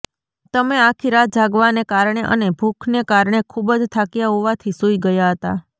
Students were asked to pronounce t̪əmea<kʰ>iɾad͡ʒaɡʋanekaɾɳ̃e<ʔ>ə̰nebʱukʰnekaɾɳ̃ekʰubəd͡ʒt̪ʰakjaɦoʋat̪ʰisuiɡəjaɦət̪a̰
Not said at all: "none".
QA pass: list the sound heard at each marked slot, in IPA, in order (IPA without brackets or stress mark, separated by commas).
kʰ, ʔ